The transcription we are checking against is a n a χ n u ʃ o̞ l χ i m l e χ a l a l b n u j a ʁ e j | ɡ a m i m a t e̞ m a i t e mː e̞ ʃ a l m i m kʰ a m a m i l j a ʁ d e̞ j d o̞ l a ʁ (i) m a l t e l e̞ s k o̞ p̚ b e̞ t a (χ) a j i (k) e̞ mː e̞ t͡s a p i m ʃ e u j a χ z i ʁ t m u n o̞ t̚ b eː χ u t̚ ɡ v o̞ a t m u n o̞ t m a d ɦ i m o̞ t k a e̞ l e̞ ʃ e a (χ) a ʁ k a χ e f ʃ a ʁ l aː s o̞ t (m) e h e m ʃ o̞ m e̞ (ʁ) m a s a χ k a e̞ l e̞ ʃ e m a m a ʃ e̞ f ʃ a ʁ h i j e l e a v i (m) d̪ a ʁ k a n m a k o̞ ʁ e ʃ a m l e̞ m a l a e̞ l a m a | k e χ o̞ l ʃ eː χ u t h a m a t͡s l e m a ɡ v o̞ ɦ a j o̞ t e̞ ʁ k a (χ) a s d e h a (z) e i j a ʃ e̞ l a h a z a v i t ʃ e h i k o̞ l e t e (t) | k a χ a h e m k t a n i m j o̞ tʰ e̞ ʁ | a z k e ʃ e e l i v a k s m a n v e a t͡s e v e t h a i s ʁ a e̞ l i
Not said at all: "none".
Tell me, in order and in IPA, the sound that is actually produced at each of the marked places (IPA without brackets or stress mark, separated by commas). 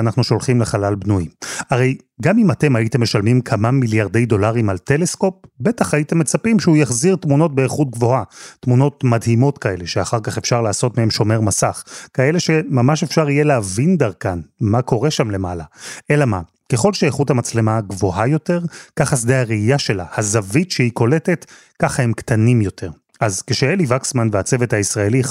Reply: i, χ, t, χ, m, ʁ, n, χ, ʁ, t